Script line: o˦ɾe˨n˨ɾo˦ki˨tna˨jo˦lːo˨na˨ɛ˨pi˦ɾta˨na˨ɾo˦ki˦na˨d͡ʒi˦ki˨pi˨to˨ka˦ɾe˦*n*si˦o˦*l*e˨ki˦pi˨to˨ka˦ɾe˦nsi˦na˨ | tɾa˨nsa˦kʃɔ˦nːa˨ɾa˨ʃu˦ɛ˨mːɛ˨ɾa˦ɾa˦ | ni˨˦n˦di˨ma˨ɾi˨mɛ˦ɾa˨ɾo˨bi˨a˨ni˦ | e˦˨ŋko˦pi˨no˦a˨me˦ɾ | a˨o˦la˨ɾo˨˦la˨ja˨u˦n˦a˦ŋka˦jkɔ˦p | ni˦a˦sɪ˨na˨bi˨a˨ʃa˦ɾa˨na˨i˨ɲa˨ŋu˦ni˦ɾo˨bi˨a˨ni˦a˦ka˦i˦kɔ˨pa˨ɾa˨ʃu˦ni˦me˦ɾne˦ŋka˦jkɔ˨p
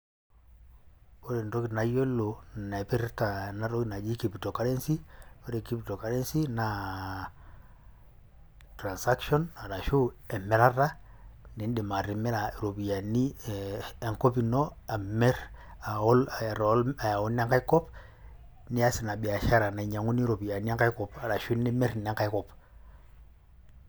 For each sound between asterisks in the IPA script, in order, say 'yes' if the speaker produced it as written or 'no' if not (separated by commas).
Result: yes, no